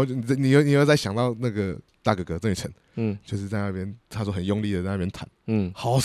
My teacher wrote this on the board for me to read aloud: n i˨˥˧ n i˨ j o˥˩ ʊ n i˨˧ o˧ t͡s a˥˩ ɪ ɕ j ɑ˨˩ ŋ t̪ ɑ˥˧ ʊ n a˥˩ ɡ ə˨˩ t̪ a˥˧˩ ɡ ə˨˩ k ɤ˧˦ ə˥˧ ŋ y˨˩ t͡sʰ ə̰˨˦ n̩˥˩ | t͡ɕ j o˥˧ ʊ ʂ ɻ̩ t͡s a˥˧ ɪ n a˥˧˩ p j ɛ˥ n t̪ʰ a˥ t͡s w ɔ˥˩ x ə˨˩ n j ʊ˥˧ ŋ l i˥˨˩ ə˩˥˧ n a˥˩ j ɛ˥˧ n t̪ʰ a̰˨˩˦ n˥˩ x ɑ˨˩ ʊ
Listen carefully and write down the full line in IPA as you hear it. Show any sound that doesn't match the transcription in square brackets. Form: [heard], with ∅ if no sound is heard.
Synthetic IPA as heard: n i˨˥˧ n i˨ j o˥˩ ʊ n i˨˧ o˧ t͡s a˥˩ ɪ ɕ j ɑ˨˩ ŋ t̪ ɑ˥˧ ʊ n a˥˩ ɡ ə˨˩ t̪ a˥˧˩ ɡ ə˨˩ k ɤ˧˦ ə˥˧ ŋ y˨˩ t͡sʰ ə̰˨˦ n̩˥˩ | t͡ɕ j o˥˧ ʊ ʂ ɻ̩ t͡s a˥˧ ɪ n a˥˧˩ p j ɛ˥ n t̪ʰ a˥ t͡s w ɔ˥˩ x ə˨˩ n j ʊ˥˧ ŋ l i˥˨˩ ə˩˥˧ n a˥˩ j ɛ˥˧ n t̪ʰ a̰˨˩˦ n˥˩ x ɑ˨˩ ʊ